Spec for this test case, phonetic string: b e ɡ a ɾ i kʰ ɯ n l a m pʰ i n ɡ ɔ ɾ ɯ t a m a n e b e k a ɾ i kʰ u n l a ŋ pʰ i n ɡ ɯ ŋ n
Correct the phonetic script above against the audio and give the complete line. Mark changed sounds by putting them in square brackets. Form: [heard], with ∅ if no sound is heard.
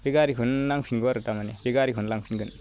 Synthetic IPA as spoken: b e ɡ a ɾ i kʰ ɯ n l a [ŋ] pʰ i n ɡ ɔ ɾ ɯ t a m a n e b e [ɡ] a ɾ i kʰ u n l a ŋ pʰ i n ɡ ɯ [∅] n